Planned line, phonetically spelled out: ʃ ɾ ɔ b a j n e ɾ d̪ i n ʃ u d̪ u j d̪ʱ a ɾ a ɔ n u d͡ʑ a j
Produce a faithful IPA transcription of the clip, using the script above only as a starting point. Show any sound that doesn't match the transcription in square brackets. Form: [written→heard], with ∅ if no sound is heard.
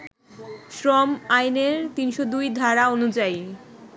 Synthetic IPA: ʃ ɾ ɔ [b→m] a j n e ɾ [d̪→t̪] i n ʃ [u→o] d̪ u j d̪ʱ a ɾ a [ɔ→o] n u d͡ʑ a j